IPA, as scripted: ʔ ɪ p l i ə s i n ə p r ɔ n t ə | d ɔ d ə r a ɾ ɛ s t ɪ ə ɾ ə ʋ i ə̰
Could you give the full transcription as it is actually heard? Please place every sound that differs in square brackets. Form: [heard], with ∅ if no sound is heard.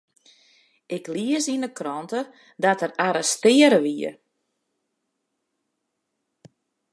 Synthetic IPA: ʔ ɪ [k] l i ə s i n ə [k] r ɔ n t ə | d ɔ [t] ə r a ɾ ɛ s t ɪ ə ɾ ə ʋ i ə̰